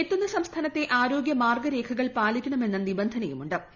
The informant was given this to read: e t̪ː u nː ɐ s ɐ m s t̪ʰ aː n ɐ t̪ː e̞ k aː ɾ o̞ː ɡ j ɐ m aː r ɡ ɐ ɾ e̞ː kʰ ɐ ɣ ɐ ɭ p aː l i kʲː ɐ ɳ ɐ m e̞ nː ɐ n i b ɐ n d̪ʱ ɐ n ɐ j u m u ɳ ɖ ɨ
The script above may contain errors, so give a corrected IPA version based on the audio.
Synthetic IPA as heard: e t̪ː u nː ɐ s ɐ m s t̪ʰ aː n ɐ t̪ː e̞ ʔ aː ɾ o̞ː ɡ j ɐ m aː r ɡ ɐ ɾ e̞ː kʰ ɐ ɣ ɐ ɭ p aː l i kʲː ɐ ɳ ɐ m e̞ nː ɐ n i b ɐ n d̪ʱ ɐ n ɐ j u m u ɳ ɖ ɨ